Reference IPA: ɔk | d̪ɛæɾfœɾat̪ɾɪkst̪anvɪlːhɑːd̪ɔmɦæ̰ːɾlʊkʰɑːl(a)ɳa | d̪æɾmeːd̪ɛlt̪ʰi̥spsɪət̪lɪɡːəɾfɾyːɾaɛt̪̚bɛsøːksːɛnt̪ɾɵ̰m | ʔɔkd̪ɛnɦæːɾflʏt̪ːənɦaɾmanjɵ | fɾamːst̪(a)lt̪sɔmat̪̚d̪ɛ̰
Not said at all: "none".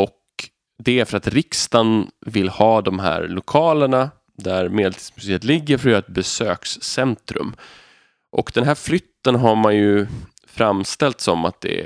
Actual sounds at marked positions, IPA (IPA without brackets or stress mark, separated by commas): ə, ɛ